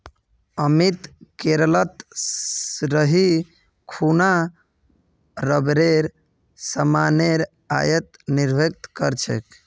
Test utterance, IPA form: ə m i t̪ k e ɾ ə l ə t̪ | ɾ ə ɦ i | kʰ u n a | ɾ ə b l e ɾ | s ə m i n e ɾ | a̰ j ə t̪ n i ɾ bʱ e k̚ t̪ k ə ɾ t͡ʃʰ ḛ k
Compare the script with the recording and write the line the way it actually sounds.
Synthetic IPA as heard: ə m i t̪ k e ɾ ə l ə t̪ | ɾ ə ɦ i | kʰ u n a | ɾ ə b ɾ e ɾ | s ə m a n e ɾ | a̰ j ə t̪ n i ɾ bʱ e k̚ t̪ k ə ɾ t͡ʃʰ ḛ k